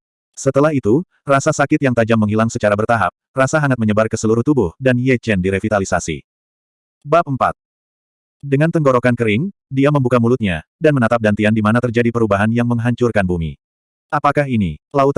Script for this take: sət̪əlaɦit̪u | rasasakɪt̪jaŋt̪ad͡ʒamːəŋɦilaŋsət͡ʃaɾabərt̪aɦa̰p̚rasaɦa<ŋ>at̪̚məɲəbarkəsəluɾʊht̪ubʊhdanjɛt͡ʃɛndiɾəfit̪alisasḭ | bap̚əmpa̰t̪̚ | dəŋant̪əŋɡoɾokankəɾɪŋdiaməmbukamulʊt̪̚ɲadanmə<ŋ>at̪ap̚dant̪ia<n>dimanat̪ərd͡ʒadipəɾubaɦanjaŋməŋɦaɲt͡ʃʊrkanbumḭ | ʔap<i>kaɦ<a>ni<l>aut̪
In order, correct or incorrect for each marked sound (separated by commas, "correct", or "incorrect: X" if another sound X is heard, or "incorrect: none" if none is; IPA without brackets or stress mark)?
correct, incorrect: n, correct, incorrect: a, incorrect: i, correct